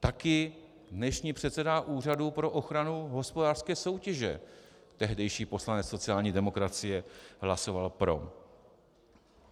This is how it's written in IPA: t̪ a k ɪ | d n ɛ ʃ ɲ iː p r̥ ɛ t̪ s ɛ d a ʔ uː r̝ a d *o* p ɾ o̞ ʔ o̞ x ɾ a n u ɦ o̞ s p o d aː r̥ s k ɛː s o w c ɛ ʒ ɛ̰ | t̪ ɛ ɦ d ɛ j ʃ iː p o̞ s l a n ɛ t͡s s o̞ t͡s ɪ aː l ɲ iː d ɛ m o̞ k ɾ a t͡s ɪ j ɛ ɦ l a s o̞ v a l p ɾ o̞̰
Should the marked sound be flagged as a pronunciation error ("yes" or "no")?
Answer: yes